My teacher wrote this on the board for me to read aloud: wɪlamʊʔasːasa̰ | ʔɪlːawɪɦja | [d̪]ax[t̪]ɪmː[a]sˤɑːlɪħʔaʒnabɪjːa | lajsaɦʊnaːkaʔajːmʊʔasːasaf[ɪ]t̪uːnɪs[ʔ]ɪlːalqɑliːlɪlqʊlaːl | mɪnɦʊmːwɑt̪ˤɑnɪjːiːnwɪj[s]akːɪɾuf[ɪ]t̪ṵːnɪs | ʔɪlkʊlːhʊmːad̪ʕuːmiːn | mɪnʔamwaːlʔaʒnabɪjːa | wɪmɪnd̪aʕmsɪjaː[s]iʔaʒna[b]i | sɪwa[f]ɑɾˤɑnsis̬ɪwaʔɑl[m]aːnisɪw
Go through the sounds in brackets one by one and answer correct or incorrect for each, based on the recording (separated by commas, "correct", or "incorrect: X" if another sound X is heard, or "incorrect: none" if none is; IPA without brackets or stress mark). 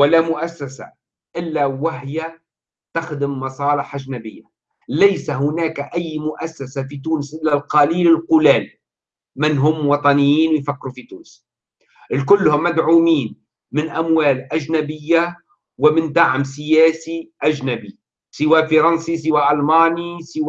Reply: incorrect: t̪, incorrect: d̪, incorrect: ɑ, incorrect: i, correct, incorrect: f, incorrect: i, correct, correct, correct, correct